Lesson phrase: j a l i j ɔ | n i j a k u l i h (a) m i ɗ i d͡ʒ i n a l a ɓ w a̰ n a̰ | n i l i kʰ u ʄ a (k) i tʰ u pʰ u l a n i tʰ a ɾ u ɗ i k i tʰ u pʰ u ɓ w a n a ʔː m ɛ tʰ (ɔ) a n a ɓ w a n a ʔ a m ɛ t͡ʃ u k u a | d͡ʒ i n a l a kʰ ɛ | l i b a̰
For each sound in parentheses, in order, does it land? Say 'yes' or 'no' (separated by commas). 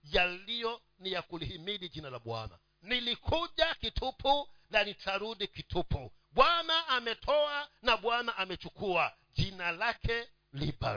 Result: no, yes, yes